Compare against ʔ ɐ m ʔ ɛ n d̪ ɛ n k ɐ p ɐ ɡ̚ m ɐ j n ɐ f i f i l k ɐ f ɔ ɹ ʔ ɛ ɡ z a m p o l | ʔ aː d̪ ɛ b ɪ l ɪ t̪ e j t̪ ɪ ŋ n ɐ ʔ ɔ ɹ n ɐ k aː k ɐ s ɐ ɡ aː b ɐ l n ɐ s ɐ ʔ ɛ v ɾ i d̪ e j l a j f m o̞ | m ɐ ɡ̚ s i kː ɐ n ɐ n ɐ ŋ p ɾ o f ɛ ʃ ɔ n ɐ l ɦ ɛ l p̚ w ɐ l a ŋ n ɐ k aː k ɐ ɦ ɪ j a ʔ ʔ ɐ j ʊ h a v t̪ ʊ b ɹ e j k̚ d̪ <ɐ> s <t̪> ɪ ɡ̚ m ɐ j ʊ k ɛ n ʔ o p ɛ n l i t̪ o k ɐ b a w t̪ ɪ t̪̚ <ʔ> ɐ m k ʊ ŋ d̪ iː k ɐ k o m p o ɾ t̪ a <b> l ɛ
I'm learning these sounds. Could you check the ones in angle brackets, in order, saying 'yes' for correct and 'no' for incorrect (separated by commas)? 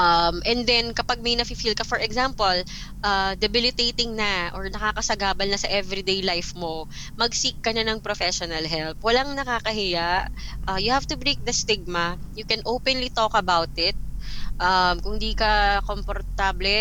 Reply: yes, yes, yes, yes